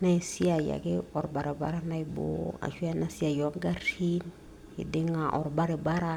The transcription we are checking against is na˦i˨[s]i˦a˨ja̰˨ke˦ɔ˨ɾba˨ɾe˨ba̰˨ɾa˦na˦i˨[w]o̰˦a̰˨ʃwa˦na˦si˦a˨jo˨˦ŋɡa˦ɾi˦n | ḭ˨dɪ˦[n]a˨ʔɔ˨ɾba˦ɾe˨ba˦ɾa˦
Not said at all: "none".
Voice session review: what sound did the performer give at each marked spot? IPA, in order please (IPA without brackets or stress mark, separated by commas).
s, b, ŋ